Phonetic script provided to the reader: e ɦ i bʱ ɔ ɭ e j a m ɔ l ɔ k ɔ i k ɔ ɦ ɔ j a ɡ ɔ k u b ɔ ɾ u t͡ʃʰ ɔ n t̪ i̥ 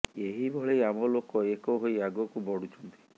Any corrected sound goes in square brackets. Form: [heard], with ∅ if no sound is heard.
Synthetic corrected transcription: e ɦ i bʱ ɔ ɭ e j a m ɔ l [o] k ɔ [e] k ɔ ɦ [o] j a ɡ ɔ k u b ɔ [ɽ] u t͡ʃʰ ɔ n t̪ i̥